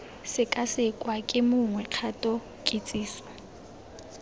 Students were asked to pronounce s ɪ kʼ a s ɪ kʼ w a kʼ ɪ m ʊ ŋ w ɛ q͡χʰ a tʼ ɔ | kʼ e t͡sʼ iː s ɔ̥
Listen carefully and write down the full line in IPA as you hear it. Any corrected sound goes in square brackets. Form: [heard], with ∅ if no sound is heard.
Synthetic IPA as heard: s ɪ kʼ a s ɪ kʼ w a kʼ ɪ m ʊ ŋ w ɛ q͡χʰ a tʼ ɔ | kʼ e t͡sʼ iː s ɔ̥